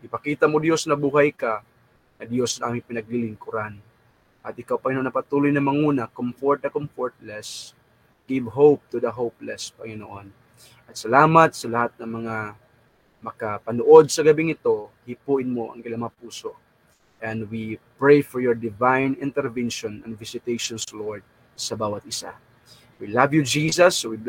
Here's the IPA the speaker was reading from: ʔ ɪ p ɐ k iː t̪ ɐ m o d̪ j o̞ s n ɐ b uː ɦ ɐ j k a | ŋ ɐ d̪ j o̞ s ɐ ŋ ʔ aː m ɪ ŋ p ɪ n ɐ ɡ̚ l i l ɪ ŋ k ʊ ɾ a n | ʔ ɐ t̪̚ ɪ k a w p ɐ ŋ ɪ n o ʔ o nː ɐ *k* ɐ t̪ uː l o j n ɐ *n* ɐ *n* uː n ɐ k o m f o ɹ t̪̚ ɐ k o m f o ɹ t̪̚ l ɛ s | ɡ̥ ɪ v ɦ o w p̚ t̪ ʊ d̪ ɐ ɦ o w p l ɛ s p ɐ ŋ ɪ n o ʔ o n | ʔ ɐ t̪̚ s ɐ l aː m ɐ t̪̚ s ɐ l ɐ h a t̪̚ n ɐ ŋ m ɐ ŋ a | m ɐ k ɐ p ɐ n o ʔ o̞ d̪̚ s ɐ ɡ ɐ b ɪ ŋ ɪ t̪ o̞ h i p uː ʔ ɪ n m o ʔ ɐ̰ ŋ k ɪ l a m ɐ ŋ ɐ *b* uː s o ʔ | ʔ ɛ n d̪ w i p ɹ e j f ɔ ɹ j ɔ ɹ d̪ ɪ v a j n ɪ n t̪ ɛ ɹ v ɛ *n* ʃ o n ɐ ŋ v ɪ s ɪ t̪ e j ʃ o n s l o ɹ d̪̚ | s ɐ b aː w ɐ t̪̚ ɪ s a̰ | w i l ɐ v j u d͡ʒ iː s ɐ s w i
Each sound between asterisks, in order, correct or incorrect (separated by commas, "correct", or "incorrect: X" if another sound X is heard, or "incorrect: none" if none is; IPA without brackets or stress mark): incorrect: p, incorrect: m, incorrect: ŋ, incorrect: p, correct